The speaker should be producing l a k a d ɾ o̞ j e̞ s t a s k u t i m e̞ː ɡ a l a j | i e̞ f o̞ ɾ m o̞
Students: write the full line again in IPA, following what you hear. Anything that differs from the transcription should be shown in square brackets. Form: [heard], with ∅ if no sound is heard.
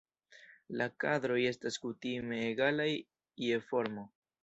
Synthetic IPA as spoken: l a k a d ɾ o̞ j e̞ s t a s k u t i m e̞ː ɡ a l a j | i e̞ f o̞ ɾ m o̞